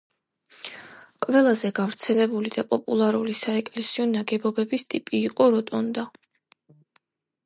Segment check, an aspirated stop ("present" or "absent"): absent